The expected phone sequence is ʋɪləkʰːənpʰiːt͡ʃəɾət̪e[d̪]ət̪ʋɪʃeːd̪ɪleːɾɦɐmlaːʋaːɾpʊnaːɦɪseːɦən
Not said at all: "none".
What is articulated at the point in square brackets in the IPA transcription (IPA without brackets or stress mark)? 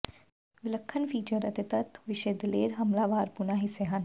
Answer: t̪